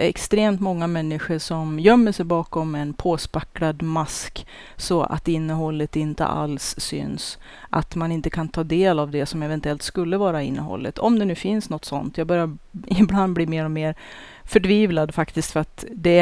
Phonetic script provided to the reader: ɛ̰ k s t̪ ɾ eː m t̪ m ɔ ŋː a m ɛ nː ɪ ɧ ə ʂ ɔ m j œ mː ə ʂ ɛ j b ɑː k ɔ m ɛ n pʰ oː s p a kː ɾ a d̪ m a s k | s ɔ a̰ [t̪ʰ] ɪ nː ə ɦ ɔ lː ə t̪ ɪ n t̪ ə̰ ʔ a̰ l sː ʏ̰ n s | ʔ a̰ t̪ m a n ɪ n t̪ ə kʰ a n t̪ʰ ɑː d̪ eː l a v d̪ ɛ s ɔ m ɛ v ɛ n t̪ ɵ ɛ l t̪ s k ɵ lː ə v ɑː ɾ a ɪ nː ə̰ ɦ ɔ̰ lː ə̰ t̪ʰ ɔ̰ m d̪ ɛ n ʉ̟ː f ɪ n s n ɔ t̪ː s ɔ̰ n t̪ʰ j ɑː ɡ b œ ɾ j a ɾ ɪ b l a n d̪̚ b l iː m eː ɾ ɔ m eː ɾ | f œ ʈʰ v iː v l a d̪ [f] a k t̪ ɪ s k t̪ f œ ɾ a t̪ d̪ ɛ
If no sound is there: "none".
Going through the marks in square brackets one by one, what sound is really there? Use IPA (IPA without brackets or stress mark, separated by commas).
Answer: t̪, f